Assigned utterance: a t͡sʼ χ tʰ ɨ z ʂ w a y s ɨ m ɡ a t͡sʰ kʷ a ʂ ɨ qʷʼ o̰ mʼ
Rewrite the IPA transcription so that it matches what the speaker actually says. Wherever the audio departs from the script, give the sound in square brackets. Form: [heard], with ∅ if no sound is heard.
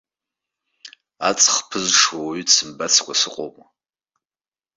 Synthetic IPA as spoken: a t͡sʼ χ [pʰ] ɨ z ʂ w a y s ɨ m [b] a t͡sʰ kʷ a [s] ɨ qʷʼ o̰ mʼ